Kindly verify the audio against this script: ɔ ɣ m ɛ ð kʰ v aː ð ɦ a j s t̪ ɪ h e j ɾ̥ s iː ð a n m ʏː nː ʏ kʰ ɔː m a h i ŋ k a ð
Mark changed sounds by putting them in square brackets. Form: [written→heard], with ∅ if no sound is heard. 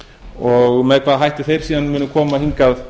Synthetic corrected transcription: ɔ ɣ m ɛ ð kʰ v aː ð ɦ a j [s→h] t̪ ɪ [h→θ] e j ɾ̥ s iː ð a n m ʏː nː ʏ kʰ ɔː m a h i ŋ k a ð